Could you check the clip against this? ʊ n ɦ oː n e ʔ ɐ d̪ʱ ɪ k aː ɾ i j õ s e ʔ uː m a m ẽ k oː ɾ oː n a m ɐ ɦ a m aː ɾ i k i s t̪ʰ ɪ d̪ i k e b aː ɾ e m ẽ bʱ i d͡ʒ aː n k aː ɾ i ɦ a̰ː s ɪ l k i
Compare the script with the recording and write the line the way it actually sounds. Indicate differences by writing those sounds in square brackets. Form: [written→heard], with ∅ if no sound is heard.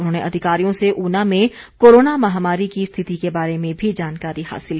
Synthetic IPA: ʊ n ɦ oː n e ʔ ɐ d̪ʱ ɪ k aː ɾ i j õ s e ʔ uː [m→n] a m ẽ k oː ɾ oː n a m ɐ ɦ a m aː ɾ i k i s t̪ʰ ɪ [d̪→t̪] i k e b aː ɾ e m ẽ bʱ i d͡ʒ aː n k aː ɾ i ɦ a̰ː s ɪ l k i